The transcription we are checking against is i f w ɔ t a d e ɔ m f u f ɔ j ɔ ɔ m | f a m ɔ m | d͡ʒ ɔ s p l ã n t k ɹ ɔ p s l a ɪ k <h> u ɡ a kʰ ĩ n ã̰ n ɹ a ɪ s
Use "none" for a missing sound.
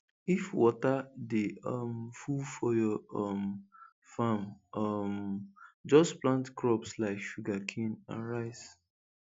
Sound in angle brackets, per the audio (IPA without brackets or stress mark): ʃ